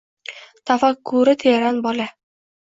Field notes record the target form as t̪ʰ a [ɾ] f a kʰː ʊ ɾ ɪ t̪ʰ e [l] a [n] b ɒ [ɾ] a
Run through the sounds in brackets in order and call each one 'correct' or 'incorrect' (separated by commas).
incorrect, incorrect, correct, incorrect